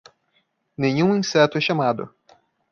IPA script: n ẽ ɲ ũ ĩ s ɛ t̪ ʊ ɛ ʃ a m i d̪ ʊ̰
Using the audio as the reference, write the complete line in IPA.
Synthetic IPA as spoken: n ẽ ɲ ũ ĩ s ɛ t̪ ʊ ɛ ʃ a m a d̪ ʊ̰